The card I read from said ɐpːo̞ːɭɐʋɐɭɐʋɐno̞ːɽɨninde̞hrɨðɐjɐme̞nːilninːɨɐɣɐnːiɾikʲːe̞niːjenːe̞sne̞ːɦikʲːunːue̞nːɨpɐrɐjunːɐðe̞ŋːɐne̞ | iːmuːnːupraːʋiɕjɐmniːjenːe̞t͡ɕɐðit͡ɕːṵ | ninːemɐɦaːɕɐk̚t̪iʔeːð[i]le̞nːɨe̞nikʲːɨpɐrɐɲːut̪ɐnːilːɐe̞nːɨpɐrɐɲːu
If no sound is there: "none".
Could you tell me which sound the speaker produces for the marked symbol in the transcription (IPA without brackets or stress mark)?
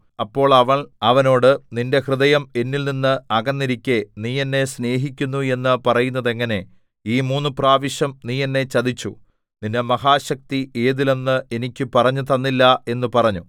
i